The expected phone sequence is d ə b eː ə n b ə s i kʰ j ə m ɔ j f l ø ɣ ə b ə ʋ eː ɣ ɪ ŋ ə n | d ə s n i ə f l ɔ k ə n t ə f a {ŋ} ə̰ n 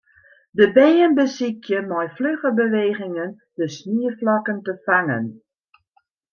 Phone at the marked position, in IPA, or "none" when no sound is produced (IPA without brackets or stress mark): ŋ